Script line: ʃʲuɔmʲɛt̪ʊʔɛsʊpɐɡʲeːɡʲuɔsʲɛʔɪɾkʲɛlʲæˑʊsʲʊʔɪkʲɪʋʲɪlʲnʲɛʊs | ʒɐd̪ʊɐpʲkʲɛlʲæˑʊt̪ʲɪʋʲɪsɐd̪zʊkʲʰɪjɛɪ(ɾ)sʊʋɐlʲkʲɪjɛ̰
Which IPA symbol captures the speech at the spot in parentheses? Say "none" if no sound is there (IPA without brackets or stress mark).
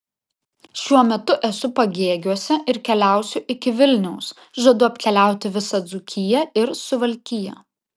ɾ